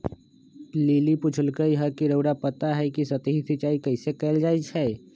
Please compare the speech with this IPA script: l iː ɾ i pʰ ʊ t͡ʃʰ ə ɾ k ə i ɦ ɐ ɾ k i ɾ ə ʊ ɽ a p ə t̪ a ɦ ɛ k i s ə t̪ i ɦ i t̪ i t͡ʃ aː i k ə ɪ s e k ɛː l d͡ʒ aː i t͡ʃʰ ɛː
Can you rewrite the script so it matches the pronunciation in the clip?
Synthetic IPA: l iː l i p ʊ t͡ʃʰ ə l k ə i ɦ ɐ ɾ k i ɾ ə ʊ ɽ a p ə t̪ a ɦ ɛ k i s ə t̪ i ɦ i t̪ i t͡ʃ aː i k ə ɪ s e k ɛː l d͡ʒ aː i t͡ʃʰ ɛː